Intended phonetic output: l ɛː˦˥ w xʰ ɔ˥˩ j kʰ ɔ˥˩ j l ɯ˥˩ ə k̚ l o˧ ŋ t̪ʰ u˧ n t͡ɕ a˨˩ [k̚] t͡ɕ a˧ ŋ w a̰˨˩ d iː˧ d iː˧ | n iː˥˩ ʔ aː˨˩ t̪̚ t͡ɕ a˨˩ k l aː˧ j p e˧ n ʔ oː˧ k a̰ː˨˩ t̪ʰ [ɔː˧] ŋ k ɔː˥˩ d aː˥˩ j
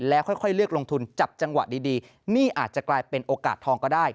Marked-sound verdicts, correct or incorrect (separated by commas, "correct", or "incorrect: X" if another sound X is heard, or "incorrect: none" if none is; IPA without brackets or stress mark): incorrect: p̚, correct